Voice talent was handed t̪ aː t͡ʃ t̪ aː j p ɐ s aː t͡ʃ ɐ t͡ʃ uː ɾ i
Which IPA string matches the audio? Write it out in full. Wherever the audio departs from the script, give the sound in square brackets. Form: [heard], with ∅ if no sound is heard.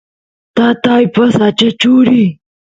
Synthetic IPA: t̪ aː [∅] t̪ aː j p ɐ s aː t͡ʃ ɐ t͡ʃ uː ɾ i